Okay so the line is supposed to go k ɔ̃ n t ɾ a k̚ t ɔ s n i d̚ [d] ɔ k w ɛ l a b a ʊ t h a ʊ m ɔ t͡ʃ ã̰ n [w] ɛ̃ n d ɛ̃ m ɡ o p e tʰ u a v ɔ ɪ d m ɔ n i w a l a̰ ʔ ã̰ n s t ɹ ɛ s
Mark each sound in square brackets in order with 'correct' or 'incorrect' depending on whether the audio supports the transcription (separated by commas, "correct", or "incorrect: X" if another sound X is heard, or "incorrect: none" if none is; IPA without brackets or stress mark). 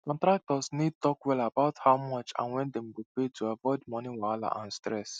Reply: incorrect: t, correct